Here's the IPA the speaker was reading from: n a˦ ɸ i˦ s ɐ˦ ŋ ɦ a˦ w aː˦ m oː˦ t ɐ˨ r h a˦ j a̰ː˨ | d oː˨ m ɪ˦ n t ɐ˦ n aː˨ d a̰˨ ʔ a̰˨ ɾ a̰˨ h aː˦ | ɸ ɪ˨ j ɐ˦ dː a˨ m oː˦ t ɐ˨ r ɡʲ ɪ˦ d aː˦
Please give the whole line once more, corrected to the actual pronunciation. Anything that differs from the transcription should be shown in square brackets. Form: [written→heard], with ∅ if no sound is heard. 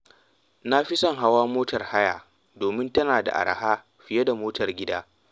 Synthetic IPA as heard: n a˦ ɸ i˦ s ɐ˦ ŋ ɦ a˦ w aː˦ m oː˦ t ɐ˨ r h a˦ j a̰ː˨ | d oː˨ m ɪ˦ n t ɐ˦ n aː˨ d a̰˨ ʔ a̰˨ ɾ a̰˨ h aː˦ | ɸ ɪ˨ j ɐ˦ [dː→d] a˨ m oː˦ t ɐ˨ r ɡʲ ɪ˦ d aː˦